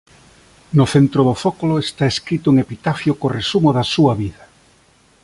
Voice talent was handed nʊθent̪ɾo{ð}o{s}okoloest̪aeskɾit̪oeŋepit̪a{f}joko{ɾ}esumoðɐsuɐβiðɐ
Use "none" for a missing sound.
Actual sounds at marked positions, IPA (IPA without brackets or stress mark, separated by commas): ð, f, f, r